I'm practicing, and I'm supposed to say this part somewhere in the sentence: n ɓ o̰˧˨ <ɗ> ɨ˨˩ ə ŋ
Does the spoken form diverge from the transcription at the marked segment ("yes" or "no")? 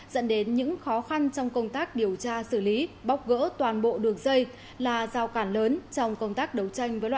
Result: no